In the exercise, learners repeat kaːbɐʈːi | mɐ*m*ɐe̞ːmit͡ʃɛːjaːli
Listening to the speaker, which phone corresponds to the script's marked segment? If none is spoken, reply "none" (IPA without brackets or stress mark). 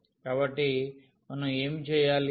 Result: n